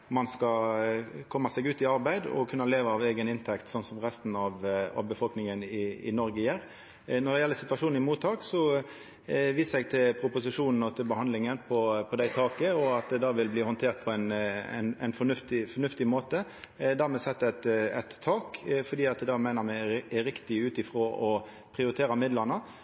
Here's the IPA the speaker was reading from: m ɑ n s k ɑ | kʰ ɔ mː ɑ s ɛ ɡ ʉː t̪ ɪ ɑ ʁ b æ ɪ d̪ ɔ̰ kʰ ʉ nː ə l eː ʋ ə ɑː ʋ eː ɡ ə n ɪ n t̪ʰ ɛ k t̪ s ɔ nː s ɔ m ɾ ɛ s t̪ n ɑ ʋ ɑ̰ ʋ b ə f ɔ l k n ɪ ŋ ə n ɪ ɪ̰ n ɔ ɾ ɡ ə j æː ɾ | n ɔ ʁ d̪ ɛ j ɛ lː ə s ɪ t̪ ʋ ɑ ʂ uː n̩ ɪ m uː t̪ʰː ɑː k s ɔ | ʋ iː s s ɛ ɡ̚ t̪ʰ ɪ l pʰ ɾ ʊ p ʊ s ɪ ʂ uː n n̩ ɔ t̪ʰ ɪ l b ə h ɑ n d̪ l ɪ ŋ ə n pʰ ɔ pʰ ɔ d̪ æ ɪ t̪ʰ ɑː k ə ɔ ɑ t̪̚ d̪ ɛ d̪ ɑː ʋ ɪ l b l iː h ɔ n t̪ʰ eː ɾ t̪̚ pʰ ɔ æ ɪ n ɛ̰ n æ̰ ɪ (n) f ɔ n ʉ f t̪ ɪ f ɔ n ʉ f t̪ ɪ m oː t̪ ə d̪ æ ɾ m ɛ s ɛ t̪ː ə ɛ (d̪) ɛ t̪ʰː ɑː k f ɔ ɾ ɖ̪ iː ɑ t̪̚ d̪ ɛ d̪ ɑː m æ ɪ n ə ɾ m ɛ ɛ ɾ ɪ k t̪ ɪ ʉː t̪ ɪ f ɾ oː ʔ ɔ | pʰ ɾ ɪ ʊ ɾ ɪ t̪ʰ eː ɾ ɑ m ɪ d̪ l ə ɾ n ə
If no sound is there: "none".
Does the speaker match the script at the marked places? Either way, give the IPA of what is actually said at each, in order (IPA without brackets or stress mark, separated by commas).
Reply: n, t̪